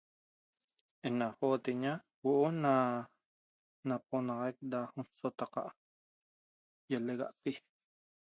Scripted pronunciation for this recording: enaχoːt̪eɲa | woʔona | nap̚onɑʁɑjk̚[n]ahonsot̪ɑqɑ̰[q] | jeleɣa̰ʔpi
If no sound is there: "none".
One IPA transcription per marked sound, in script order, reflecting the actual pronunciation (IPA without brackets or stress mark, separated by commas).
d, ʔ